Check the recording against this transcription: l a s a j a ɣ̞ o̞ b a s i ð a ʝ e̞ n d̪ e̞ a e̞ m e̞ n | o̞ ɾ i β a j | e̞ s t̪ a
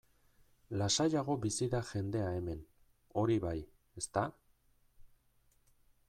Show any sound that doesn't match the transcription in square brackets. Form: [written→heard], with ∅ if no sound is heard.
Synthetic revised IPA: l a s a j a ɣ̞ o̞ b [a→i] s i ð a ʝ e̞ n d̪ e̞ a e̞ m e̞ n | o̞ ɾ i β a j | e̞ s t̪ a